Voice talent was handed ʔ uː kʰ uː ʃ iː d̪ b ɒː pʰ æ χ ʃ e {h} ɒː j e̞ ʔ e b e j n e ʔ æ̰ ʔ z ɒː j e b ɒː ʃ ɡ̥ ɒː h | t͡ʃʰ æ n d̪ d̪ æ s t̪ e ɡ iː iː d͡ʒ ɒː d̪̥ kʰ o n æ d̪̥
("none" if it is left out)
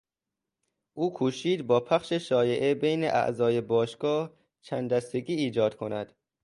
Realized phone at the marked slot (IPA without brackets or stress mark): ʃ